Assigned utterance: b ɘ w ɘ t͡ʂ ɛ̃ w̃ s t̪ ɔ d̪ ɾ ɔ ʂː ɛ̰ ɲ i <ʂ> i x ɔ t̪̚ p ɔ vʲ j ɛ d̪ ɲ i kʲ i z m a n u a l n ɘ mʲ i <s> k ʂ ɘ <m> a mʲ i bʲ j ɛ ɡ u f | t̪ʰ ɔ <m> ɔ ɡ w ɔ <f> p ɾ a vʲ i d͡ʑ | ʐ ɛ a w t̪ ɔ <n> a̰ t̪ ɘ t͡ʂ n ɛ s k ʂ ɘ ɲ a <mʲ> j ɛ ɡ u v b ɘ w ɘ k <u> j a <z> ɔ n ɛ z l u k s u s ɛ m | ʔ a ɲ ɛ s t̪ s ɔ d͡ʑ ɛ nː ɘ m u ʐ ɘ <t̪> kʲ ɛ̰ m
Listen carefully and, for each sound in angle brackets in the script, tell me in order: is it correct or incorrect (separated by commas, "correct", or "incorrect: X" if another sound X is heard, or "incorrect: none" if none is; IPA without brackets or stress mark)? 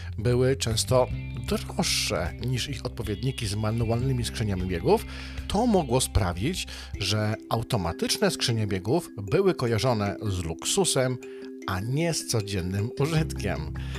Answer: correct, correct, incorrect: ɲ, correct, incorrect: s, incorrect: m, incorrect: bʲ, incorrect: ɔ, incorrect: ʐ, correct